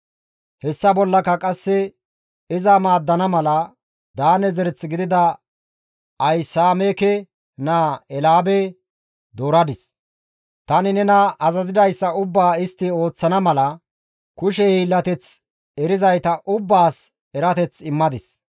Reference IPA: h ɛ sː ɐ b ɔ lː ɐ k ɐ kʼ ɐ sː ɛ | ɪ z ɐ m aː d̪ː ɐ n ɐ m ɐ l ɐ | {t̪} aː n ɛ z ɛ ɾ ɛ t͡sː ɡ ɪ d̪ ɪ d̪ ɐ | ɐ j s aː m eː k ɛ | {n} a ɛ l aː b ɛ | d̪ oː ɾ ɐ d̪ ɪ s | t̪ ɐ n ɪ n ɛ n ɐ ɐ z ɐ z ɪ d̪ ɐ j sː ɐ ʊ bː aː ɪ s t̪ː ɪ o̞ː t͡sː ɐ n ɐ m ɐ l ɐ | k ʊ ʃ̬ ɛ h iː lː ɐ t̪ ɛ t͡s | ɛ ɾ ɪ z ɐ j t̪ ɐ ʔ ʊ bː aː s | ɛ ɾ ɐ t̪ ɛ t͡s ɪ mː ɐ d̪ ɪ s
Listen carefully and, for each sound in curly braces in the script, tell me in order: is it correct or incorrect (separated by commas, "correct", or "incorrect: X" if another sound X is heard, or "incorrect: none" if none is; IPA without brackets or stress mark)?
incorrect: d̪, correct